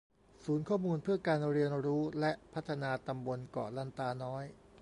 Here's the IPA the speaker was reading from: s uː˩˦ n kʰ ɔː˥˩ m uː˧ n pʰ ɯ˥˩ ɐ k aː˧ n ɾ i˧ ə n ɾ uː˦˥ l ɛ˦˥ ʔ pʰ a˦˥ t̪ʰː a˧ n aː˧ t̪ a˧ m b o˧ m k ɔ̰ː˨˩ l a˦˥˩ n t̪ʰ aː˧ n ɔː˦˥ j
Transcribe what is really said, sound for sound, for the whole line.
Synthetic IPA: s uː˩˦ n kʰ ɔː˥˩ m uː˧ n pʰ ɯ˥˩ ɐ k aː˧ n ɾ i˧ ə n ɾ uː˦˥ l ɛ˦˥ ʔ pʰ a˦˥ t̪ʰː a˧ n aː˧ t̪ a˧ m b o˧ n k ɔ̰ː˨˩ l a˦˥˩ n t̪ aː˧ n ɔː˦˥ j